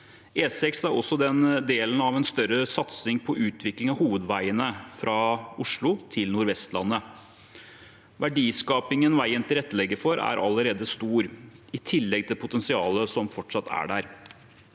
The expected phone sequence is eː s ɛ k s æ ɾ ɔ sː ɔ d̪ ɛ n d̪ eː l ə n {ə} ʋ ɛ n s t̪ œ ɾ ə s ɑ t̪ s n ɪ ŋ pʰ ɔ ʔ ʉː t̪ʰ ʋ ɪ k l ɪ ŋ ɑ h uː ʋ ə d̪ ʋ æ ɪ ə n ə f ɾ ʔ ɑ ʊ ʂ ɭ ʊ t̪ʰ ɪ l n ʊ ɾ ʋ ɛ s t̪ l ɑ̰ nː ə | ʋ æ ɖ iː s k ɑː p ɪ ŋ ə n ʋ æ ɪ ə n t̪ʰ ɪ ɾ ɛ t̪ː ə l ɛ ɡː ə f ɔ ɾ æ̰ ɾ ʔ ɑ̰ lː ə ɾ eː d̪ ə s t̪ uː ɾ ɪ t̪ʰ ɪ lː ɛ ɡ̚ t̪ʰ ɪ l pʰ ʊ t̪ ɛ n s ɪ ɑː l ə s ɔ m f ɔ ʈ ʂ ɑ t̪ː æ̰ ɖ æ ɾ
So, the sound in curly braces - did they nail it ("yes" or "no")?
no